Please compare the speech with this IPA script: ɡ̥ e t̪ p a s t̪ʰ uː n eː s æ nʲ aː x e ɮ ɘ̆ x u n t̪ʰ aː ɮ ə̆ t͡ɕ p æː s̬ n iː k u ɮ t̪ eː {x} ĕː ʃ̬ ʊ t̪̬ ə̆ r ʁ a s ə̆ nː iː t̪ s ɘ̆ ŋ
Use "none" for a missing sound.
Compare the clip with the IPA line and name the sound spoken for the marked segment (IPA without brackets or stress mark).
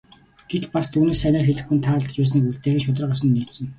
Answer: x